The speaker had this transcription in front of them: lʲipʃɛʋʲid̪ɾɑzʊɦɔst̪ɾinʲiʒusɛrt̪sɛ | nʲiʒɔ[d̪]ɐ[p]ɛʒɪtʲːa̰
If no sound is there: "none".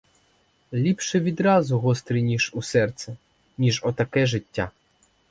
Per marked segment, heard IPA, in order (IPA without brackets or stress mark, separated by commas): t̪, k